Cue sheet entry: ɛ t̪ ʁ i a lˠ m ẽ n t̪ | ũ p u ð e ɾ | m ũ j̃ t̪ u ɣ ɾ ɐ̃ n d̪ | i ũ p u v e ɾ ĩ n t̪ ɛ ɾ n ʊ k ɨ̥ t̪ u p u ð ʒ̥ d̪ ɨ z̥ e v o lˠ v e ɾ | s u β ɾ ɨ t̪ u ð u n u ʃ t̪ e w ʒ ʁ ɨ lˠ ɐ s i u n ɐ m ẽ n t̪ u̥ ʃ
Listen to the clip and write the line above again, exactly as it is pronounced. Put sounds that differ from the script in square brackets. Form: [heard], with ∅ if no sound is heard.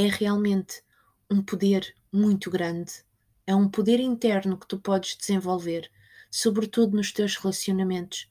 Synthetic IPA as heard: ɛ [∅] ʁ i a lˠ m ẽ n t̪ | ũ p u ð e ɾ | m ũ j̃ t̪ u ɣ ɾ ɐ̃ n d̪ | [ɛ] ũ p u [ð] e ɾ ĩ n t̪ ɛ ɾ n [u] k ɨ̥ t̪ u p [ɔ] ð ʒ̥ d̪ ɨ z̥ [ẽ] v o lˠ v e ɾ | s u β ɾ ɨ t̪ u ð u n u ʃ t̪ e w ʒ ʁ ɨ lˠ ɐ s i u n ɐ m ẽ n t̪ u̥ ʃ